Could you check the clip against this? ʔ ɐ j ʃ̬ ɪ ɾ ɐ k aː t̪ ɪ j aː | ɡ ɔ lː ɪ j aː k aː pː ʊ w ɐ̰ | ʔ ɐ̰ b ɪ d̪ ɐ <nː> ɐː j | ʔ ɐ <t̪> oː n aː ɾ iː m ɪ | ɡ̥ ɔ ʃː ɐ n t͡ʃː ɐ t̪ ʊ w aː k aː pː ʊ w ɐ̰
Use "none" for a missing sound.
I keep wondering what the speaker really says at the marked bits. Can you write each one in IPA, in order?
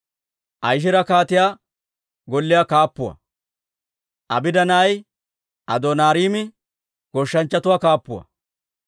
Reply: n, d̪

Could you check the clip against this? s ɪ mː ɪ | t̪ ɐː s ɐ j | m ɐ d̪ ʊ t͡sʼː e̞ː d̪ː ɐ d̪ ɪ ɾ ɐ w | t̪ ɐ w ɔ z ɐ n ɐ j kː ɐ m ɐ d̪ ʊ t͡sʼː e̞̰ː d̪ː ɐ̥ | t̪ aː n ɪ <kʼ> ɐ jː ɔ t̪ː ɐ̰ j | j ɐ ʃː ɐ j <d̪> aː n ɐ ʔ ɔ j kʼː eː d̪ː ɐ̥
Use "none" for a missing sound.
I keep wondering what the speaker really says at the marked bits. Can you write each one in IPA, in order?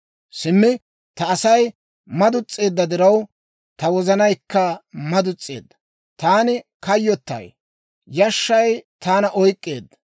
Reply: k, t̪

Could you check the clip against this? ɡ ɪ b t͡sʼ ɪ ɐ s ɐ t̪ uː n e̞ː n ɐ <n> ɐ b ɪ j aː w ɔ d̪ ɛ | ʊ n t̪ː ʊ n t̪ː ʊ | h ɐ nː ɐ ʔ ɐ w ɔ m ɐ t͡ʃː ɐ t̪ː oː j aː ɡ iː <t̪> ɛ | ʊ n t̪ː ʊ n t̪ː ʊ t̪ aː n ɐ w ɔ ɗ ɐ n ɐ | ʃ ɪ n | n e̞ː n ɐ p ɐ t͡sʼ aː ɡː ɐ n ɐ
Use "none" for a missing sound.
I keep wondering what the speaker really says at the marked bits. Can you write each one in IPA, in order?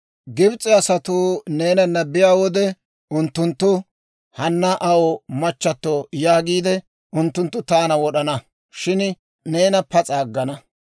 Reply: nː, d̪

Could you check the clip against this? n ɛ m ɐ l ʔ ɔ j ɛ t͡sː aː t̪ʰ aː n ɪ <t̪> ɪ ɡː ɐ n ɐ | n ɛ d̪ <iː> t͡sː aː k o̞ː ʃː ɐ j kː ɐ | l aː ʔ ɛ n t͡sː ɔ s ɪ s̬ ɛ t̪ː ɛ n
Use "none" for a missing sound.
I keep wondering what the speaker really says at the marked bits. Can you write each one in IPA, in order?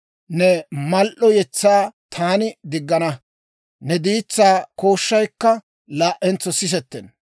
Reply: d̪, iː

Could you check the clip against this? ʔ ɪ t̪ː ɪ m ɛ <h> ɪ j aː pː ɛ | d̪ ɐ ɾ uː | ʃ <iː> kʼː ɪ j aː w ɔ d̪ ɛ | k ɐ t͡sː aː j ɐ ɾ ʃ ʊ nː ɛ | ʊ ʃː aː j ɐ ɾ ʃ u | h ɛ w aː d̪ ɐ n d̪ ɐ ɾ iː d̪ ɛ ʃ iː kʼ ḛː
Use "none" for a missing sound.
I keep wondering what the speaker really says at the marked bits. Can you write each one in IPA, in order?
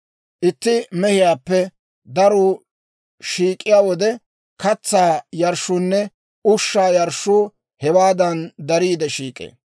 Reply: h, iː

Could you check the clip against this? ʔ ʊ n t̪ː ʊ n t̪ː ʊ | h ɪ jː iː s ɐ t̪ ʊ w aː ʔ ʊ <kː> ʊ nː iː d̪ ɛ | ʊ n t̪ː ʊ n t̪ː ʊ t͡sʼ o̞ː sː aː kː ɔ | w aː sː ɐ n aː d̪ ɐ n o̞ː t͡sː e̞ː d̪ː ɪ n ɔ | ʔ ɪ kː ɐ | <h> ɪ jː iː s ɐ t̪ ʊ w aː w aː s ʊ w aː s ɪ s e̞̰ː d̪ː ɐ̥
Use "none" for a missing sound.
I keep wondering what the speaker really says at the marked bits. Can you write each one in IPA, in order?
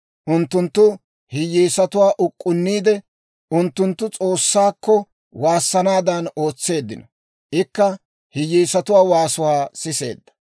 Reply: kʼː, h

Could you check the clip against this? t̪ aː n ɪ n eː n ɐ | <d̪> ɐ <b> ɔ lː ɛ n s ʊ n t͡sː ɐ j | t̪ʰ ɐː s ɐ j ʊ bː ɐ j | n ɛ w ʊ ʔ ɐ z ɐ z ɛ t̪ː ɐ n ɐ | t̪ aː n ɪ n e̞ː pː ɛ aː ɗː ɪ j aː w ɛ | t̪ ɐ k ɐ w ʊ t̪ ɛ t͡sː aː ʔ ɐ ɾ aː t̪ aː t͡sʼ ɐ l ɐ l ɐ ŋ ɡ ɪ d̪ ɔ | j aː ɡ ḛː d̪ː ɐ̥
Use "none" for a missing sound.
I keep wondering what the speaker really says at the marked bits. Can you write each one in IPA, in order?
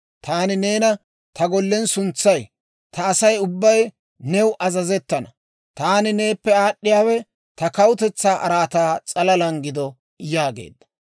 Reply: t̪, ɡ

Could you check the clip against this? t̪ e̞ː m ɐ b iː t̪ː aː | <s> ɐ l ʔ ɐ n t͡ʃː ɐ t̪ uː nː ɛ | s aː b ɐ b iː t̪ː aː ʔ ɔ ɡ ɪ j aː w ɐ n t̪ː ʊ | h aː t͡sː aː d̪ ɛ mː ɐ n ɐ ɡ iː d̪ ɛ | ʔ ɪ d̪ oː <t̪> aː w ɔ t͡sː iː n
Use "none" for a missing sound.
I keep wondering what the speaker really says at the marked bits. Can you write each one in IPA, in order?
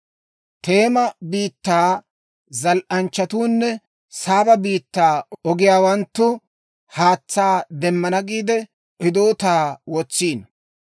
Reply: z, t̪

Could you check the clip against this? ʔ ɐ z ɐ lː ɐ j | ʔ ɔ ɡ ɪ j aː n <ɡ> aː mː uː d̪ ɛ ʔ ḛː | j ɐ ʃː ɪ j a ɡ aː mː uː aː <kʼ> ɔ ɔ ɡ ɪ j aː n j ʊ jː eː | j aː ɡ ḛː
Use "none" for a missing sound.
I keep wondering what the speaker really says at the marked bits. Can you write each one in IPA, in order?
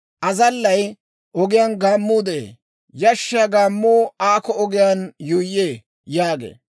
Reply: ɡ, k

